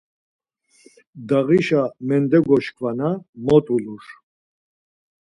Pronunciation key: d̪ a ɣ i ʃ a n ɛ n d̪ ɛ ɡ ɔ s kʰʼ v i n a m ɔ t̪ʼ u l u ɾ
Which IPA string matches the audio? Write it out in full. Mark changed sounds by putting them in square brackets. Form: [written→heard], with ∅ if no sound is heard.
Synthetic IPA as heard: d̪ a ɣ i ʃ a [n→m] ɛ n d̪ ɛ ɡ ɔ [s→ʃ] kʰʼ v [i→a] n a m ɔ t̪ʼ u l u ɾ